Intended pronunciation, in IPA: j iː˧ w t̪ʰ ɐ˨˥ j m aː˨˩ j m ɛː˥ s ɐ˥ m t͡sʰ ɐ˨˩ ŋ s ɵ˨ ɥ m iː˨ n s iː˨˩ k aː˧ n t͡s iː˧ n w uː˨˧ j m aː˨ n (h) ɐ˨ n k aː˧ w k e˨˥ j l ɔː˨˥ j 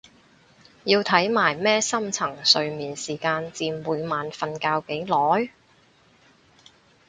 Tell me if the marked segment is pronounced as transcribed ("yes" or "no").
no